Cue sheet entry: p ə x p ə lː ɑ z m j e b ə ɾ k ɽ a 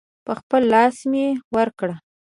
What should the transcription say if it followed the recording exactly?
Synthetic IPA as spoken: p ə x p ə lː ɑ s m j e w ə ɾ k ɽ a